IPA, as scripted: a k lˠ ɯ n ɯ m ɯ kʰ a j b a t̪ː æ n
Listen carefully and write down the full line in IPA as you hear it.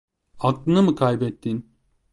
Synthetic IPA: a k lˠ ɯ n ɯ m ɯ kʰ a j b ɛ t̪ː i n